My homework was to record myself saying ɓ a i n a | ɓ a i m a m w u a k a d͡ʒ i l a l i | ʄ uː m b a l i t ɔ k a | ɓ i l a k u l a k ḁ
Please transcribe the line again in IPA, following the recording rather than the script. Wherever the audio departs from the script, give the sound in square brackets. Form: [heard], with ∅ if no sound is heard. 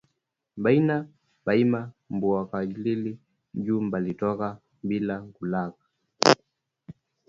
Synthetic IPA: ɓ a i n a | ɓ a i m a m [b] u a k a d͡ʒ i l [i] l i | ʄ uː m b a l i t ɔ k a | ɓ i l a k u l a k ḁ